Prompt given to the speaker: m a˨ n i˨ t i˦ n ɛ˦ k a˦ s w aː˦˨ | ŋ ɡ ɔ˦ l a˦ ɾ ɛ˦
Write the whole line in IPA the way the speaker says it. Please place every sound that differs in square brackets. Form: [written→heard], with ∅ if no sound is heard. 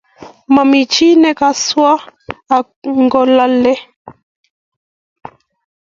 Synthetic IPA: m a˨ [n→m] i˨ [t→t͡ʃ] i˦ n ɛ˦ k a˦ s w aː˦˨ | ŋ ɡ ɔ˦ l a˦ [ɾ→l] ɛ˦